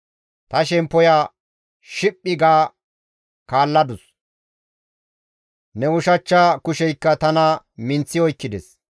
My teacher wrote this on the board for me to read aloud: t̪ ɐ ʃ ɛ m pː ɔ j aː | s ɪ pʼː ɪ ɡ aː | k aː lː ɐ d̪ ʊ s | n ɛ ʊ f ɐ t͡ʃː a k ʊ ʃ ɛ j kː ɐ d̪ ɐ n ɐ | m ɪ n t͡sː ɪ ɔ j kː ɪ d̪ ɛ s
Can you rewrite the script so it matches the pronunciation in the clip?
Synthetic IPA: t̪ ɐ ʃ ɛ m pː ɔ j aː | ʃ ɪ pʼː ɪ ɡ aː | k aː lː ɐ d̪ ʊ s | n ɛ ʊ ʃ ɐ t͡ʃː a k ʊ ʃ ɛ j kː ɐ t̪ ɐ n ɐ | m ɪ n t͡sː ɪ ɔ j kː ɪ d̪ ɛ s